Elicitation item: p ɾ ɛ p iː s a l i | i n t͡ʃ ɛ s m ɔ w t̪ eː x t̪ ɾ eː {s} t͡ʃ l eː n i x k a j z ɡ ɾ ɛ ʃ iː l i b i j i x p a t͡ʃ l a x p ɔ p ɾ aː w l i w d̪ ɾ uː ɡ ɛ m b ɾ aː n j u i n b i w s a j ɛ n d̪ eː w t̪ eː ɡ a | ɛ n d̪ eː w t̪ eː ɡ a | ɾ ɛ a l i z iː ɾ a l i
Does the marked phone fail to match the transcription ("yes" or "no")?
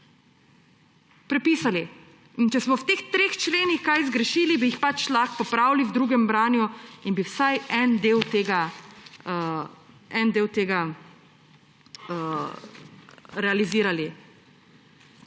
yes